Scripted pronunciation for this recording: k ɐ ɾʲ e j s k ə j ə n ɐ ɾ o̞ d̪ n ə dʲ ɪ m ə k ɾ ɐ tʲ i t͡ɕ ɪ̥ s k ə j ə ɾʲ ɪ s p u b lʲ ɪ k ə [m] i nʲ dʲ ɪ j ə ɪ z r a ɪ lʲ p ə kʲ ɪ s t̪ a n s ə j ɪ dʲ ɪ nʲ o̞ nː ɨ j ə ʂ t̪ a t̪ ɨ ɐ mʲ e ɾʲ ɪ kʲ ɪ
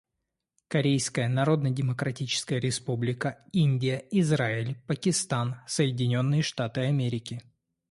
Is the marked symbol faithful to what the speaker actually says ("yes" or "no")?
no